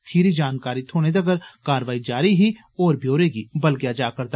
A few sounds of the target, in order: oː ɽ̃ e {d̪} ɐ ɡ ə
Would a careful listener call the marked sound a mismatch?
no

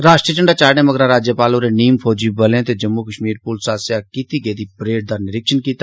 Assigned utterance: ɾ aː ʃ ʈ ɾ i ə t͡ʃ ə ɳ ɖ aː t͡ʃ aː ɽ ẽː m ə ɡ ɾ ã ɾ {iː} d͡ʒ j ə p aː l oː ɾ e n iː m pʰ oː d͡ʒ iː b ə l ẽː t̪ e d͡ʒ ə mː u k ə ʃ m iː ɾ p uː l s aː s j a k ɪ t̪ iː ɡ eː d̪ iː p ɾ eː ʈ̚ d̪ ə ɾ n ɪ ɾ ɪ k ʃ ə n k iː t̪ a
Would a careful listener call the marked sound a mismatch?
yes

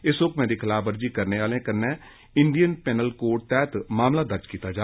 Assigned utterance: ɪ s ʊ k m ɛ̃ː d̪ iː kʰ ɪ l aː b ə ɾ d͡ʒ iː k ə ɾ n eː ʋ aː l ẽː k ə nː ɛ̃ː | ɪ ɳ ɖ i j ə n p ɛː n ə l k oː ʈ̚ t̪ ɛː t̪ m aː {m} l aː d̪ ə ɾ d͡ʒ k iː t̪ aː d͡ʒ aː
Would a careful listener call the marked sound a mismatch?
no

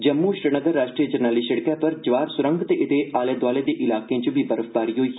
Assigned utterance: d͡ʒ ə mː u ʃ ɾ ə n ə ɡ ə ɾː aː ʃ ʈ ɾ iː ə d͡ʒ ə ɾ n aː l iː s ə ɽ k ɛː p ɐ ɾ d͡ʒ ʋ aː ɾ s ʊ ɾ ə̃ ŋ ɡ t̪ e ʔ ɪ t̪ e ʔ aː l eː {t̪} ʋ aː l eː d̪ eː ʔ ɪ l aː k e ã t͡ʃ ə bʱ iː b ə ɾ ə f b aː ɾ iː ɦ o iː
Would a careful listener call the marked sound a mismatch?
yes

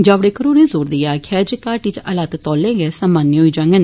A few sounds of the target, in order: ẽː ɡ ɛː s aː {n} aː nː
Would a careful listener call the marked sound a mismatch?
yes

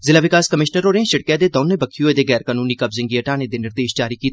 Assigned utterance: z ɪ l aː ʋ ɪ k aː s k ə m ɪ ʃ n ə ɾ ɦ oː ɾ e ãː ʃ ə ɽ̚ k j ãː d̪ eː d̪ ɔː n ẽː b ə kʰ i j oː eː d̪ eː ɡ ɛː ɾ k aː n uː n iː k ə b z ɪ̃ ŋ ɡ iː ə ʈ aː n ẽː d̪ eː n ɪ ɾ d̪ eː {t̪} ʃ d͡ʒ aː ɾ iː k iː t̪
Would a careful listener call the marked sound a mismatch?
yes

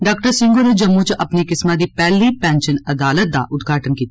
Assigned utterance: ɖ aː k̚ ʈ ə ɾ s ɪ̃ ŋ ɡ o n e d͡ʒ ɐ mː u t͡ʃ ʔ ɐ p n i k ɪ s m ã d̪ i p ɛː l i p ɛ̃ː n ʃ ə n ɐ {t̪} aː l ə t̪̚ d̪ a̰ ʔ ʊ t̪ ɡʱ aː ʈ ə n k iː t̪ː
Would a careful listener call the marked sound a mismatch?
yes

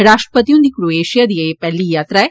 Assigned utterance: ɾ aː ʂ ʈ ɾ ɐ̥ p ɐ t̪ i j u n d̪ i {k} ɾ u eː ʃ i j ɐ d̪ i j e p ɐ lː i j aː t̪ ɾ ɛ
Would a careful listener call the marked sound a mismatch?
no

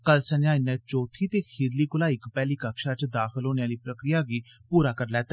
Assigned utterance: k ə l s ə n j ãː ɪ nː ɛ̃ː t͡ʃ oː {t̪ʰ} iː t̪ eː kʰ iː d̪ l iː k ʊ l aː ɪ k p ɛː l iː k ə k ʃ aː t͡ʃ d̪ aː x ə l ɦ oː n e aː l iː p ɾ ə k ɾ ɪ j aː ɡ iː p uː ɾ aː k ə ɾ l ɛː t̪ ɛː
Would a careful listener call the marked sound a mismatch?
no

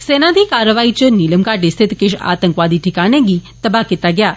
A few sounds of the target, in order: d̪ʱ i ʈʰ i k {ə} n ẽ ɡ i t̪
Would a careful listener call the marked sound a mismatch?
yes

